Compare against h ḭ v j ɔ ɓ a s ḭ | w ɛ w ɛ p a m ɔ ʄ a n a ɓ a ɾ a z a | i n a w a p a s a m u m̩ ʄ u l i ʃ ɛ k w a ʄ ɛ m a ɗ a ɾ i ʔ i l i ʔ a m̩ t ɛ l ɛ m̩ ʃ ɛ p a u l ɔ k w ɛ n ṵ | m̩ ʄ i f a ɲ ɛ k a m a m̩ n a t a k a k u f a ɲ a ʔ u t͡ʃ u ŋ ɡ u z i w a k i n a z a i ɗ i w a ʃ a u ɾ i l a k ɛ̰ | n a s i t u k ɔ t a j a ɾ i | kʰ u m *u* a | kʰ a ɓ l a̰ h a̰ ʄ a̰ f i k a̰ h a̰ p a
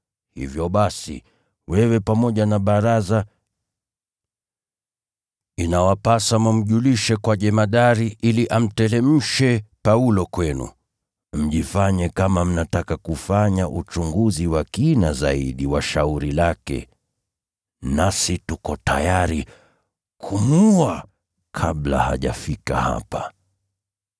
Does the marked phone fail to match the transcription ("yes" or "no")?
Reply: no